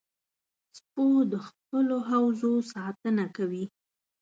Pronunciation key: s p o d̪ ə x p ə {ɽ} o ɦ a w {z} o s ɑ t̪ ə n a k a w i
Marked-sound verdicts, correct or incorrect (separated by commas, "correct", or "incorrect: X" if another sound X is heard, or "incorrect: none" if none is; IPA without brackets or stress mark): incorrect: l, correct